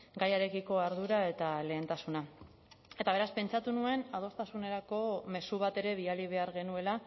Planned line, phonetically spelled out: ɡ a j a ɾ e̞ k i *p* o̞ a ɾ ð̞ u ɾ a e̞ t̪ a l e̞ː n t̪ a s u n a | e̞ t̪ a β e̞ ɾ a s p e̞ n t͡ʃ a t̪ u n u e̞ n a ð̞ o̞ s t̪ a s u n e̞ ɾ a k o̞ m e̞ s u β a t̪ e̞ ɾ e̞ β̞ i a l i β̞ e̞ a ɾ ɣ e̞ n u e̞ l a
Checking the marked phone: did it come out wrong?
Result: yes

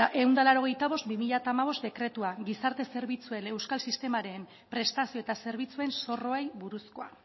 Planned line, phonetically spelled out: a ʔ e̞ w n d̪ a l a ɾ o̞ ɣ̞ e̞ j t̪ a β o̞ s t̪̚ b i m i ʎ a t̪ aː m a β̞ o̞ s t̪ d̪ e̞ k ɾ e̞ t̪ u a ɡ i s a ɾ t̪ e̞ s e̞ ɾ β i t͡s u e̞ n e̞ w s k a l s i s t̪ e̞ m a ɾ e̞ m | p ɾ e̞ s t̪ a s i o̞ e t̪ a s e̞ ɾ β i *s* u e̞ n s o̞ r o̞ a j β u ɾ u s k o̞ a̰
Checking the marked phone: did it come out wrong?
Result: yes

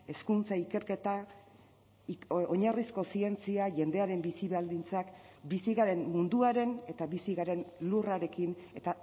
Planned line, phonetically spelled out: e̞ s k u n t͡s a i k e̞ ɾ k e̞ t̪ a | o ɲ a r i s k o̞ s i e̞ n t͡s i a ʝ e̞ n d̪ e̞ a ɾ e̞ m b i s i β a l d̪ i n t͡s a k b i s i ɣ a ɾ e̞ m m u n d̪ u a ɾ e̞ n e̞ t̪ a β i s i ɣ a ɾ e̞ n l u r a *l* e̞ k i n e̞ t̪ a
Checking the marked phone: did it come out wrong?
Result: yes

